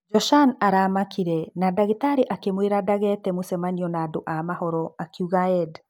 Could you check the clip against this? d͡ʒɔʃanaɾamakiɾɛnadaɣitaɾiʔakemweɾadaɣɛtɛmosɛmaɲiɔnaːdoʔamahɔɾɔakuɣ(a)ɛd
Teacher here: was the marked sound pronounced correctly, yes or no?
yes